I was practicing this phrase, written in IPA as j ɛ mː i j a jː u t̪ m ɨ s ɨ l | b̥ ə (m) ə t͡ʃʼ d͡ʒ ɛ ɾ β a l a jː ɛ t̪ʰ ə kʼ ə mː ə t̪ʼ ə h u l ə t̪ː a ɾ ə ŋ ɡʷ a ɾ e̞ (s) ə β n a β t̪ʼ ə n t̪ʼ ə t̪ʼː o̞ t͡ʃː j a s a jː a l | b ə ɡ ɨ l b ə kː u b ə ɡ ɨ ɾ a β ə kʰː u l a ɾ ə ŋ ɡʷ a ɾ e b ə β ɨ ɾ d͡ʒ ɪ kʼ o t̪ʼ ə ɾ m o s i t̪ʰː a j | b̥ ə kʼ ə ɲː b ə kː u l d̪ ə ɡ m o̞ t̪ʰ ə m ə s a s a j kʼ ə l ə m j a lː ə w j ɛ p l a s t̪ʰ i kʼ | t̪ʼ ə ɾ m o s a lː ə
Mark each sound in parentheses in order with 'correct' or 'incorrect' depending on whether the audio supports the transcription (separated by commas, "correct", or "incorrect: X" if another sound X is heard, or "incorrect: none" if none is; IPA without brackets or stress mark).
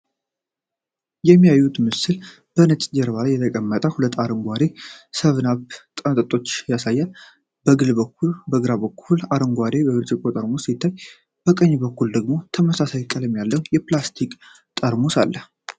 incorrect: n, correct